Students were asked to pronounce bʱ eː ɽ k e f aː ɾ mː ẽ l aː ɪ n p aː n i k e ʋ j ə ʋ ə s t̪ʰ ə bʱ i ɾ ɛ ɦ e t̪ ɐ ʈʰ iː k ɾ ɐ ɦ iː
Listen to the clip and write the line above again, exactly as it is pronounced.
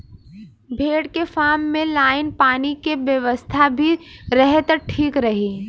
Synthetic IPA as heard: bʱ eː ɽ k e f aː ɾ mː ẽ l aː ɪ n p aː n i k e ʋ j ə ʋ ə s t̪ʰ a bʱ i ɾ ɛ ɦ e t̪ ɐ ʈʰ iː k ɾ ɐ ɦ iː